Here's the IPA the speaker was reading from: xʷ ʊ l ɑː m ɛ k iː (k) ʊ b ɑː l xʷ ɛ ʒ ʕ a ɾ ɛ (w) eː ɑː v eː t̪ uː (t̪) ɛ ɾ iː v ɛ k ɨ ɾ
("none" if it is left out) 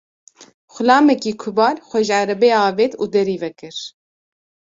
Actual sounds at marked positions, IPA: kʰ, b, d̪

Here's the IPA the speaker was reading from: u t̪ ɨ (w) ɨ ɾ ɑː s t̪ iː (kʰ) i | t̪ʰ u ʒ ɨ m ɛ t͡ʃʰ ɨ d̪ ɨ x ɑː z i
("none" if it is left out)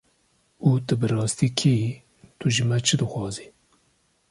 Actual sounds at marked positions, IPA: b, kʰ

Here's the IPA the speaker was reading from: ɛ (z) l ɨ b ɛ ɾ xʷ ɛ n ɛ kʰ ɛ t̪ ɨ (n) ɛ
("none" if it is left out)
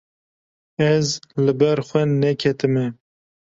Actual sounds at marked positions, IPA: z, m

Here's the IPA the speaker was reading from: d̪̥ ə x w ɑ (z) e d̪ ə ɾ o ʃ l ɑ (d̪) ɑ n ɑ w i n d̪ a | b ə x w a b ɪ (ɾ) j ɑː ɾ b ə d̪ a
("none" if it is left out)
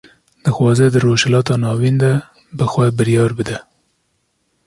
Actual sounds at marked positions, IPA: z, t̪, ɾ

